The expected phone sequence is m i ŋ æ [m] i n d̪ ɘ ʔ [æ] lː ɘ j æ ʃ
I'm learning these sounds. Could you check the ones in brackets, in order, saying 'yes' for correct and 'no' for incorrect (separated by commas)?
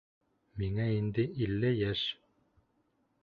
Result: no, no